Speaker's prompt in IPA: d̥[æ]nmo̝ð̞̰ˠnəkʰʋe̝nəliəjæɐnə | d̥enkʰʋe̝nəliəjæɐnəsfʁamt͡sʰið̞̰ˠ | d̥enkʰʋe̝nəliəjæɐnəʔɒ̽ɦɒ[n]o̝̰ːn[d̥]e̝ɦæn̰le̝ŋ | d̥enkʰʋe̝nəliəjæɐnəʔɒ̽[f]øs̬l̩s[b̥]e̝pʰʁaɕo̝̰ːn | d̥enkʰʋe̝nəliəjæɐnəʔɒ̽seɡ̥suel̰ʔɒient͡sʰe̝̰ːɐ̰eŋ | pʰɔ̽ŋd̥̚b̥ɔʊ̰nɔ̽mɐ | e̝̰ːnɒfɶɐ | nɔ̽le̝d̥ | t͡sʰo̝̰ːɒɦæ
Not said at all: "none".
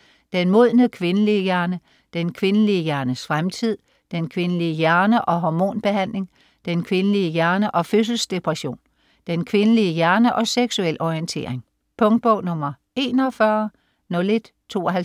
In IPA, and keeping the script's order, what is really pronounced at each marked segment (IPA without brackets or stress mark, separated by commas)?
e, m, b̥, f, d̥